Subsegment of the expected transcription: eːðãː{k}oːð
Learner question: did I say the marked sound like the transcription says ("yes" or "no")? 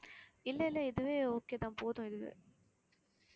no